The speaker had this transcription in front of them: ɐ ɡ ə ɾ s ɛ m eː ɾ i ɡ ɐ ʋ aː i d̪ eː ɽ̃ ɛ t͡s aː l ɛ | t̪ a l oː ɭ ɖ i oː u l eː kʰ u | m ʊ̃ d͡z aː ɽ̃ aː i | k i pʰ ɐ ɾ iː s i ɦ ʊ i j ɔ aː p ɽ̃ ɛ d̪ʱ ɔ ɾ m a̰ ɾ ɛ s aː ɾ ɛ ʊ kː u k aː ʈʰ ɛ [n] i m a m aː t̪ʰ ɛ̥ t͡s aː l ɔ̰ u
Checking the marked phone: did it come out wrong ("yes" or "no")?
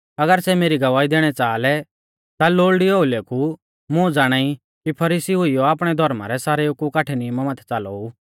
no